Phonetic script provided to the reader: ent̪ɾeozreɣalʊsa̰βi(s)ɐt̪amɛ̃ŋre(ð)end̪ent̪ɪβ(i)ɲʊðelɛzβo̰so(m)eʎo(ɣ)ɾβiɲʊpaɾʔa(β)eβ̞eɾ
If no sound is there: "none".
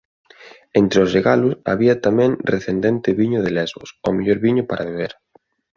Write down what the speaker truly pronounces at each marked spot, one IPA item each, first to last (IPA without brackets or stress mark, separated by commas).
none, θ, i, m, none, β